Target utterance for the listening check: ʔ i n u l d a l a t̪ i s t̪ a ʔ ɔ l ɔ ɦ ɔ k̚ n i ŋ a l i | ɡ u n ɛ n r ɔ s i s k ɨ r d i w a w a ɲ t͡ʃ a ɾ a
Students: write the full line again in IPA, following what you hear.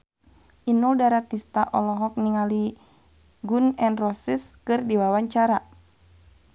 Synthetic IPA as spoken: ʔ i n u l d a ɾ a t̪ i s t̪ a ʔ ɔ l ɔ ɦ ɔ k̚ n i ŋ a l i | ɡ u n ɛ n r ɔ s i s k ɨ r d i w a w a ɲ t͡ʃ a ɾ a